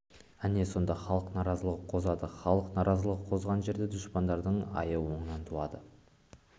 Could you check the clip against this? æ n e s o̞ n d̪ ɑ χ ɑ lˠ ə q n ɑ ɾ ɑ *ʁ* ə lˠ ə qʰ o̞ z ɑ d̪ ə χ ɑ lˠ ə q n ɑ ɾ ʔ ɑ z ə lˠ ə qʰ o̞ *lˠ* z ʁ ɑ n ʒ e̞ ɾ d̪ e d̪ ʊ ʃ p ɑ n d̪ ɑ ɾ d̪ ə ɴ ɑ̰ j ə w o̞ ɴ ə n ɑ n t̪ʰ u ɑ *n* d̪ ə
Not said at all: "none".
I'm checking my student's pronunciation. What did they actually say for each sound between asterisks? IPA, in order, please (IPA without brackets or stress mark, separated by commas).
z, none, none